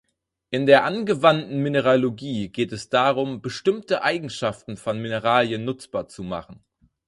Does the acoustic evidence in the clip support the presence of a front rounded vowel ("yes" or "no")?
no